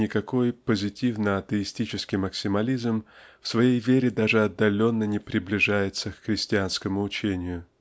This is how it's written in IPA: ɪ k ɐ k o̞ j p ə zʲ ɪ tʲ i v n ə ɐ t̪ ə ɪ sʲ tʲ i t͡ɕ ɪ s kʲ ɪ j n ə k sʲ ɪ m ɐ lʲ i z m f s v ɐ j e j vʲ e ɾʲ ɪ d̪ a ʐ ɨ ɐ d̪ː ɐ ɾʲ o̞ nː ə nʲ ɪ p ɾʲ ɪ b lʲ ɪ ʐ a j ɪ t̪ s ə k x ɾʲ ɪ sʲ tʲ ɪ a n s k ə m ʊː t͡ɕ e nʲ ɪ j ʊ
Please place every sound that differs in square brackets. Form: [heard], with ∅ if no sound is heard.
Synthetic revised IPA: ɪ k ɐ k o̞ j p ə zʲ ɪ tʲ i v n ə ɐ t̪ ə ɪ sʲ tʲ i t͡ɕ ɪ s kʲ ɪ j [m] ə k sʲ ɪ m ɐ lʲ i z m f s v ɐ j e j vʲ e ɾʲ ɪ d̪ a ʐ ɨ ɐ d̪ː ɐ [lʲ] o̞ nː ə nʲ ɪ p ɾʲ ɪ b lʲ ɪ ʐ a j ɪ t̪ s ə k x ɾʲ ɪ sʲ tʲ ɪ a n s k ə m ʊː t͡ɕ e nʲ ɪ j ʊ